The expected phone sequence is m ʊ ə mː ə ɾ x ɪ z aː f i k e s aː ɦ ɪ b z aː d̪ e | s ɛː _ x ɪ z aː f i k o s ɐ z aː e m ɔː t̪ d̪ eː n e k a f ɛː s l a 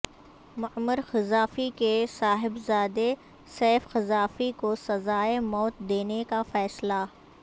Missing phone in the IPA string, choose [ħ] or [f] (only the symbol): f